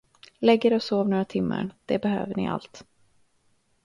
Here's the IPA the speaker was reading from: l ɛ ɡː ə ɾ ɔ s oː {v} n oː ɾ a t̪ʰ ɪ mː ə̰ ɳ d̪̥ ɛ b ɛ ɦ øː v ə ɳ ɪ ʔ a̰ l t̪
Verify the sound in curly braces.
correct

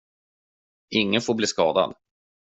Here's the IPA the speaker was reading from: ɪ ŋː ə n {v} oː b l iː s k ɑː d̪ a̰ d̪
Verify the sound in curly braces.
incorrect: f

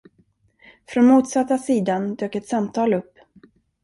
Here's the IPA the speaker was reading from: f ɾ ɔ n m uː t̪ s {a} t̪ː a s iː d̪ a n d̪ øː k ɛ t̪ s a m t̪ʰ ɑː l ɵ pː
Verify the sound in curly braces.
correct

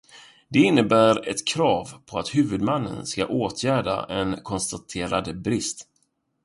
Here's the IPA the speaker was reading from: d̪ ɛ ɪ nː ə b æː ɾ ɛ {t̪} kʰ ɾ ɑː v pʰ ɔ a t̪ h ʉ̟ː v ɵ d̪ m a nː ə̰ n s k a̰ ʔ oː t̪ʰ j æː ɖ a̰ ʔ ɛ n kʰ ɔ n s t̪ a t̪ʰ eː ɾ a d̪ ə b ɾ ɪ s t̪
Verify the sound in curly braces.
correct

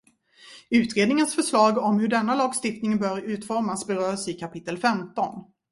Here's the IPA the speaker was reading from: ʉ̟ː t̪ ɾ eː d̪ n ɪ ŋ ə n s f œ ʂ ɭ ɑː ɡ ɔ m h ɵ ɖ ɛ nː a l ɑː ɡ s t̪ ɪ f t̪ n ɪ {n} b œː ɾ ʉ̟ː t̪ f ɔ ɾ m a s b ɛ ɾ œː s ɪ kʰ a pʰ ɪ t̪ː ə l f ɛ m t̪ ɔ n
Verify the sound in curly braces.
incorrect: ŋ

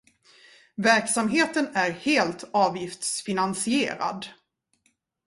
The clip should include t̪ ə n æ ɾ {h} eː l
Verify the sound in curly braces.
correct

